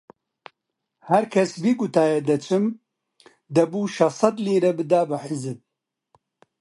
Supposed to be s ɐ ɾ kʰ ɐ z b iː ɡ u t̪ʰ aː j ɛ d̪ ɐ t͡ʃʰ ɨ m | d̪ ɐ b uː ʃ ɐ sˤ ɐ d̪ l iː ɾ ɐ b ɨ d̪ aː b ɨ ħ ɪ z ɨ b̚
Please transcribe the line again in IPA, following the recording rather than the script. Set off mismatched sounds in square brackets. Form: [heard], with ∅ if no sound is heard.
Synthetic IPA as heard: [h] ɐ ɾ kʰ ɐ [s] b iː ɡ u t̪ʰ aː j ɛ d̪ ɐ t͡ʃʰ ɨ m | d̪ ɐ b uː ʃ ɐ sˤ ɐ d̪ l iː ɾ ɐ b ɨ d̪ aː b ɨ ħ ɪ z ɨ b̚